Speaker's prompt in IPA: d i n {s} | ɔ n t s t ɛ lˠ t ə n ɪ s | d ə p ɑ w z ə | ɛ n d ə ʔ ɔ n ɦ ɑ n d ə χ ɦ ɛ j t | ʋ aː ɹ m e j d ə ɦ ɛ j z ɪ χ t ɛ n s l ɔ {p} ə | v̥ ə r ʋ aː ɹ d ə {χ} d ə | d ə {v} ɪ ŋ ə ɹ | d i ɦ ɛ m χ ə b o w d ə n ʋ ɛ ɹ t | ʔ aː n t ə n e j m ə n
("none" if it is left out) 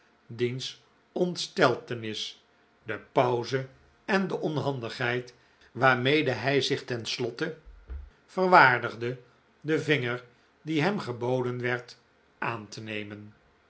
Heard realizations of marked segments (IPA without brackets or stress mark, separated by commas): s, t, χ, v